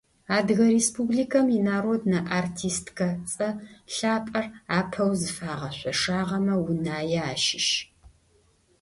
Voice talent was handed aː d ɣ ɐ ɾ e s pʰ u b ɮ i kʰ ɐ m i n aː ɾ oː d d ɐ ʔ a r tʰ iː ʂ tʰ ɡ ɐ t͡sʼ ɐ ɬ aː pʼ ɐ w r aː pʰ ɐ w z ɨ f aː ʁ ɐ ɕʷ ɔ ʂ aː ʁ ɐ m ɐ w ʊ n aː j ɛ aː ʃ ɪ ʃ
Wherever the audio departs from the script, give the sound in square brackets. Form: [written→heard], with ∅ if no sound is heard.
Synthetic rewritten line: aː d ɣ ɐ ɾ e s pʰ u b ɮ i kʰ ɐ m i n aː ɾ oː d [d→n] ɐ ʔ a r tʰ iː [ʂ→s] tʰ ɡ ɐ t͡sʼ ɐ ɬ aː pʼ ɐ [w→∅] r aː pʰ ɐ w z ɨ f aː ʁ ɐ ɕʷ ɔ ʂ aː ʁ ɐ m ɐ w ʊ n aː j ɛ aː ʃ ɪ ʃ